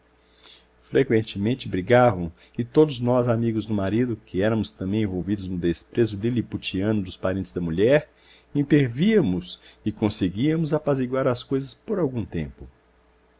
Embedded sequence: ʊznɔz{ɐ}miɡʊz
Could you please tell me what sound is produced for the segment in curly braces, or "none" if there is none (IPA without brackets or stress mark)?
a